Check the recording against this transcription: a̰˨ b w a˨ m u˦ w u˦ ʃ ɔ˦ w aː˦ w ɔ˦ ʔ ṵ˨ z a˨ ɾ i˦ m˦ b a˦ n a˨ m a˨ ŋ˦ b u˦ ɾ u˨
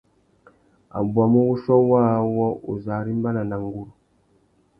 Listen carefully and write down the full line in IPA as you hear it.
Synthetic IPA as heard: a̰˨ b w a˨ m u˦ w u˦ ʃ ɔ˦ w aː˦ w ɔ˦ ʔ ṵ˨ z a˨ ɾ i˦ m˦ b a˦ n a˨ n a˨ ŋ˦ ɡ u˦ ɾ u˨